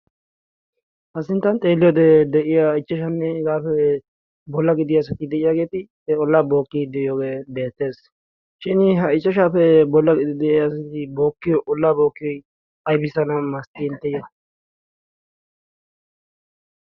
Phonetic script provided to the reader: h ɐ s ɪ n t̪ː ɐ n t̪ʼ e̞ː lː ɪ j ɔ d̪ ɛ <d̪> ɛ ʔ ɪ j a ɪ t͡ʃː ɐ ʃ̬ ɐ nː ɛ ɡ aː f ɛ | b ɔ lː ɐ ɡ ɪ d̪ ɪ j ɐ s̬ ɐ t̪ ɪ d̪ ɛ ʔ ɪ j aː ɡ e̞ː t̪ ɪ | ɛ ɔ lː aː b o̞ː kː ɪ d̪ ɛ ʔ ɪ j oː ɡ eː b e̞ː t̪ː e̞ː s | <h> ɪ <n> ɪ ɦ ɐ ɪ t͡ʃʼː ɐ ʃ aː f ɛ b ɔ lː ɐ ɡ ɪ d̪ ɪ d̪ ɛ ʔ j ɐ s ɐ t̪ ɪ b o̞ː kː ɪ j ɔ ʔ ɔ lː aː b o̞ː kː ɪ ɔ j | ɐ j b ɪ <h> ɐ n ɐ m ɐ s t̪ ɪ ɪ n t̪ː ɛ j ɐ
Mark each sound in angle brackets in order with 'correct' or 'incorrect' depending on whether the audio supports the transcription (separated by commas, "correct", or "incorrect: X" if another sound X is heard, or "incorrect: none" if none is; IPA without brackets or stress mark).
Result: correct, incorrect: ʃ, correct, incorrect: s